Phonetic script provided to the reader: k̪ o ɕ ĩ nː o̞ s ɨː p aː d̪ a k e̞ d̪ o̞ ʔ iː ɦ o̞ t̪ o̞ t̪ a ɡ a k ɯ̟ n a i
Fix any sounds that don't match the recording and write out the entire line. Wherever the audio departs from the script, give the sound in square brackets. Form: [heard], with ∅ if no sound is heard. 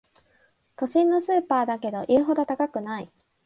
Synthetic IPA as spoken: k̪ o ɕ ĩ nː o̞ s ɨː p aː d̪ a k e̞ d̪ o̞ ʔ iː ɦ o̞ [d̪] o̞ t̪ a [k] a k ɯ̟ n a i